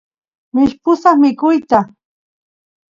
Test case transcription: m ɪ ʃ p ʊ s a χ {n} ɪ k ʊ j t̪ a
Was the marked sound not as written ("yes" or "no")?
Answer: yes